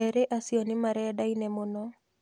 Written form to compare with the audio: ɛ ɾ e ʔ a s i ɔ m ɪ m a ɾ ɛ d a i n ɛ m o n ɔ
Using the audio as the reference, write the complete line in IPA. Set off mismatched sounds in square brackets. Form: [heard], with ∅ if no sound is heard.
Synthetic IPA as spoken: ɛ ɾ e ʔ a s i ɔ [n] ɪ m a ɾ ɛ d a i n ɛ m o n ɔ

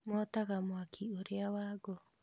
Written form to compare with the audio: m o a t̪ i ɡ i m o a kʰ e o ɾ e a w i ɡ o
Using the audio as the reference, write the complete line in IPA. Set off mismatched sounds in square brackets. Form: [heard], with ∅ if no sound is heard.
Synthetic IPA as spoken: m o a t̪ [a] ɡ [a] m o a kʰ [i] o ɾ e a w [a] ɡ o

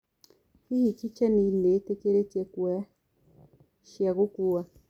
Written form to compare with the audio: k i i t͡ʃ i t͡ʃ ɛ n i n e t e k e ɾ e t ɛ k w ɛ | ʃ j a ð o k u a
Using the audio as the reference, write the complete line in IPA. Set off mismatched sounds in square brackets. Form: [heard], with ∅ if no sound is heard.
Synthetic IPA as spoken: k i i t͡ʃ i t͡ʃ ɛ n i n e t e k e ɾ e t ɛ k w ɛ | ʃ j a [ɣ] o k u a

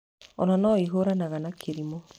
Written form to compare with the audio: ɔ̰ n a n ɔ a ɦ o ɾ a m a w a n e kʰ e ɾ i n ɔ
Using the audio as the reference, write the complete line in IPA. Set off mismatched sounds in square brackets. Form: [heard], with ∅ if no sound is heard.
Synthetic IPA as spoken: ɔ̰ n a n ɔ [i] ɦ o ɾ a [n] a [ɣ] a n [a] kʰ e ɾ i [m] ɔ

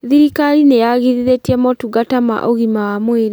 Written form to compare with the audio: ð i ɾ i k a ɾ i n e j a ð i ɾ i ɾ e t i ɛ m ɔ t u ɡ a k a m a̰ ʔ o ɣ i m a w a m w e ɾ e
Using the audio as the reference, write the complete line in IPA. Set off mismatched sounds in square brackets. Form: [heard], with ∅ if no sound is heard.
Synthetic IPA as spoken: ð i ɾ i k a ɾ i n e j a [ɣ] i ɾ i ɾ e t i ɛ m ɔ t u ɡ a [t] a m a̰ ʔ o ɣ i m a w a m w e ɾ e

